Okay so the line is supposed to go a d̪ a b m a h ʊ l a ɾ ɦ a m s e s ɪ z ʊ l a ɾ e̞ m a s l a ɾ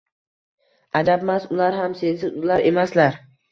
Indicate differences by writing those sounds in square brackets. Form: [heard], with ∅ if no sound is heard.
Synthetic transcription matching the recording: a d̪ a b m a [s] ʊ l a ɾ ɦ a m s e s ɪ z ʊ l a ɾ e̞ m a s l a ɾ